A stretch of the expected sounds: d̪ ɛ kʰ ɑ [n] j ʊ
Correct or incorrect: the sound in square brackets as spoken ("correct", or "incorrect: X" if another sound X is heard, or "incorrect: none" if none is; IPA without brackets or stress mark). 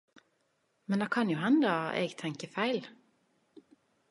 correct